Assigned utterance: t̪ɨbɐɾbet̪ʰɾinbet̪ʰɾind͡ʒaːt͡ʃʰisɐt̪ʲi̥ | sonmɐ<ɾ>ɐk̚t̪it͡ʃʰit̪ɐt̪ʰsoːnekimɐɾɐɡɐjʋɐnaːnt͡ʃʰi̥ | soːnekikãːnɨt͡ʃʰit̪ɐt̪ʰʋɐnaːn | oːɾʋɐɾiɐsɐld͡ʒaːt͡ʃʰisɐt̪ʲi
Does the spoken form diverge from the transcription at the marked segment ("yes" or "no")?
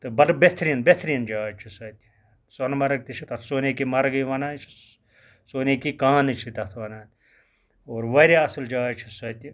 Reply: no